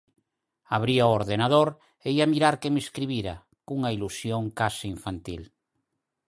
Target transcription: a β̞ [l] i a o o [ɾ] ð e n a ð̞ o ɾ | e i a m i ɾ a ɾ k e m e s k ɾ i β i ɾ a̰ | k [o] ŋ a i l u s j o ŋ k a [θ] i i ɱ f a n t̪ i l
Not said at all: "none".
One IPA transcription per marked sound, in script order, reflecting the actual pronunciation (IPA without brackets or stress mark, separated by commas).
ɾ, ɾ, u, s